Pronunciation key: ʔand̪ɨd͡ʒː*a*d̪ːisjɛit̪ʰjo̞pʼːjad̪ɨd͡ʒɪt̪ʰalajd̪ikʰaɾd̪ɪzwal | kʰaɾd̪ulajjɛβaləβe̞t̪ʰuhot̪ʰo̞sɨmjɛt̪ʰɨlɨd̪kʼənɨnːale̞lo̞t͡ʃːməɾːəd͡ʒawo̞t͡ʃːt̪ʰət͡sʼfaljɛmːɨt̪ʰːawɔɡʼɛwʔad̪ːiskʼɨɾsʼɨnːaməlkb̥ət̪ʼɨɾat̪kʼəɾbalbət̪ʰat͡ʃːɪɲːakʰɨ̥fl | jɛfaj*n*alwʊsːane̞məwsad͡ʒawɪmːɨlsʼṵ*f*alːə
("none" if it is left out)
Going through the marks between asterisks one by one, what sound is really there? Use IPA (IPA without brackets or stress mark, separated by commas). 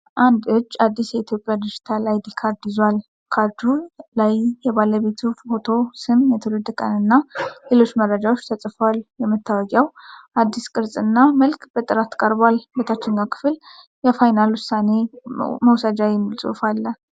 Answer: a, n, f